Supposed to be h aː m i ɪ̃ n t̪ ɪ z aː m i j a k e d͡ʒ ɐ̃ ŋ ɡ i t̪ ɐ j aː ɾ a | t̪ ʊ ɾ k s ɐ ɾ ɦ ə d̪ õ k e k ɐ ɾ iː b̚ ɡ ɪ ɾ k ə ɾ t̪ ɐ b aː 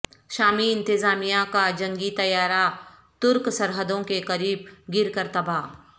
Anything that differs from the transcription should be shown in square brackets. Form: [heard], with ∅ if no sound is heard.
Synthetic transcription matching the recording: [ʃ] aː m i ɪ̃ n t̪ ɪ z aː m i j a k [a] d͡ʒ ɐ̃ ŋ ɡ i t̪ ɐ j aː ɾ a | t̪ ʊ ɾ k s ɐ ɾ ɦ ə d̪ õ k e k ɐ ɾ iː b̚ ɡ ɪ ɾ k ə ɾ t̪ ɐ b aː